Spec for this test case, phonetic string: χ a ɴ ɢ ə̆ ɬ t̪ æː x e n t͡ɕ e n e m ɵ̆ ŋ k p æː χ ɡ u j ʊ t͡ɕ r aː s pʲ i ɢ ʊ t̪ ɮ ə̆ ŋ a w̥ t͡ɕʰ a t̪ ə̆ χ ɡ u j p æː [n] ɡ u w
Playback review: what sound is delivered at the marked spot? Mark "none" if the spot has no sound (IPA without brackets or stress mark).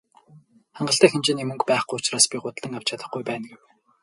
n